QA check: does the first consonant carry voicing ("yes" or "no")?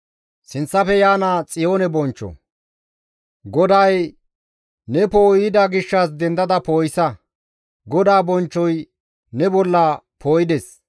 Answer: no